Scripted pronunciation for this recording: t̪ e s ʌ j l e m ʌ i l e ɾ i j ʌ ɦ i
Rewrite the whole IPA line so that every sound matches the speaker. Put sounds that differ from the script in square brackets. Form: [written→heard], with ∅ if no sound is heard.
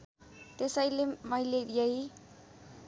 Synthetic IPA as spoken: t̪ e s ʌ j l e m ʌ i l e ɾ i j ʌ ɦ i